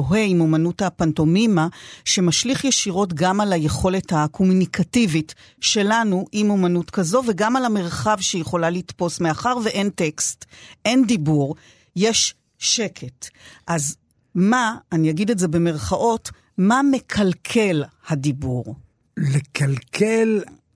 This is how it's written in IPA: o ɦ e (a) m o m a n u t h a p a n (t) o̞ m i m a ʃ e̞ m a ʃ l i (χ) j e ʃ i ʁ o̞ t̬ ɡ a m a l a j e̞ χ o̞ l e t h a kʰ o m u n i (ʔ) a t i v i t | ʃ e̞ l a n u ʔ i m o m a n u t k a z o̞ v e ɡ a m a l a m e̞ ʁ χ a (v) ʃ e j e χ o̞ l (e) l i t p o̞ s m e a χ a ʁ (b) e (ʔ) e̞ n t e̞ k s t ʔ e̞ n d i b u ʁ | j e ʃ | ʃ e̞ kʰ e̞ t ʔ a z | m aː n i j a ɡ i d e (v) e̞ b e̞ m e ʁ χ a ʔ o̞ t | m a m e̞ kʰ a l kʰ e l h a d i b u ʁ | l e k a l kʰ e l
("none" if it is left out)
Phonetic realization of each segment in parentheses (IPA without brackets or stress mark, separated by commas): i, t, χ, k, v, a, v, ʔ, z